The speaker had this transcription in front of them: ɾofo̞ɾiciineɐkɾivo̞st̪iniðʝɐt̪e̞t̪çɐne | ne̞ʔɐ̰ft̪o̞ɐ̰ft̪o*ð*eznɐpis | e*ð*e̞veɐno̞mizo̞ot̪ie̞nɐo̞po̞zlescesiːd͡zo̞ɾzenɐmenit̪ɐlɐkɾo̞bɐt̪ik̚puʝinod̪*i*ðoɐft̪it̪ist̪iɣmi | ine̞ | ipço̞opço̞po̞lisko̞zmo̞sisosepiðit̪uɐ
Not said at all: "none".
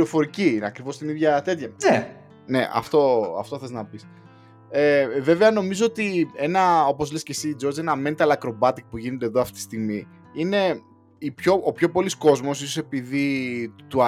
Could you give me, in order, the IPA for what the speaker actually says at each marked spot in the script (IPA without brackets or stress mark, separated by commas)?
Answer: θ, v, e